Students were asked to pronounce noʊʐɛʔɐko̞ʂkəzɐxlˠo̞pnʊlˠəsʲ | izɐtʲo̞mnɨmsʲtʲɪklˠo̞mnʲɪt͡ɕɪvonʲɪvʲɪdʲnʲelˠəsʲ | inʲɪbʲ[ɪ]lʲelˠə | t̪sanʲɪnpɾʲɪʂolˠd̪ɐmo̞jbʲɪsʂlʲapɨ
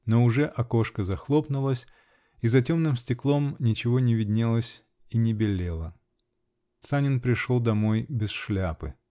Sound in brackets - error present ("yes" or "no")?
no